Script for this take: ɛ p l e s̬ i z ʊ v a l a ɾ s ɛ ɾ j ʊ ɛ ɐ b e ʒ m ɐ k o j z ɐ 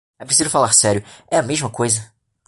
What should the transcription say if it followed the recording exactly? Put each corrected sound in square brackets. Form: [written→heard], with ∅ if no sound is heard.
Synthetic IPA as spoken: ɛ p [l→ɾ] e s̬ i z ʊ [v→f] a l a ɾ s ɛ ɾ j ʊ ɛ ɐ [b→m] e ʒ m ɐ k o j z ɐ